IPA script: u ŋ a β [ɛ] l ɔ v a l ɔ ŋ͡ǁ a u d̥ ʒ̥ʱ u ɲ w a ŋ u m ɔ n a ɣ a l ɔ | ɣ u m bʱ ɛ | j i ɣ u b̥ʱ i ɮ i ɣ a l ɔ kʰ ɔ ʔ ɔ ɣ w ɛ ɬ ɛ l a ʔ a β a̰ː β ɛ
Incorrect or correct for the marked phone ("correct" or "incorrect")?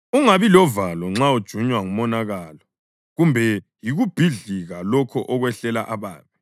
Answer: incorrect